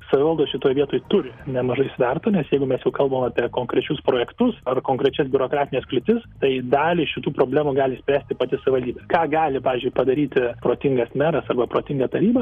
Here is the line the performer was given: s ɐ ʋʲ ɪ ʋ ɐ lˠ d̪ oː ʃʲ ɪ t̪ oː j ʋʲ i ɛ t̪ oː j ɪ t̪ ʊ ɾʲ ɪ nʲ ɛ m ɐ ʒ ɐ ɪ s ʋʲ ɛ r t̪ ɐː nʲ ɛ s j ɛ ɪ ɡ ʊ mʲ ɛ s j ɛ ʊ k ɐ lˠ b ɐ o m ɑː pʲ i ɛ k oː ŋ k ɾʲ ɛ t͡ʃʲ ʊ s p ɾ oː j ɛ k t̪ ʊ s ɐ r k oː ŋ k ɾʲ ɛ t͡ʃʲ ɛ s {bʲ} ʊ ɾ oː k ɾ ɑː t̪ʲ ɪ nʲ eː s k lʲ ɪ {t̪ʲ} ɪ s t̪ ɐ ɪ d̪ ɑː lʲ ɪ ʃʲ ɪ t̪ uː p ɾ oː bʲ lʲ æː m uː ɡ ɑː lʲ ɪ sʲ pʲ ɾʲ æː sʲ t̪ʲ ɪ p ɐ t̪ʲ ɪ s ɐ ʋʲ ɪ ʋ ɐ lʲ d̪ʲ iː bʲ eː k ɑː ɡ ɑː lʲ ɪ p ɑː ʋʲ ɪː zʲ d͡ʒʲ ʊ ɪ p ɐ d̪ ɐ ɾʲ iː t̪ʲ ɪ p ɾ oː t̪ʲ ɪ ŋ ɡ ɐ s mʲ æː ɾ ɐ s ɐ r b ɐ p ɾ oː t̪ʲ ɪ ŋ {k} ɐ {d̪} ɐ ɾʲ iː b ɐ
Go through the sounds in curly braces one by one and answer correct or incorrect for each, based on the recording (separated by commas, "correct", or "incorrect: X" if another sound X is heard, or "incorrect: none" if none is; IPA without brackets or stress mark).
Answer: correct, correct, incorrect: ɡ, incorrect: t̪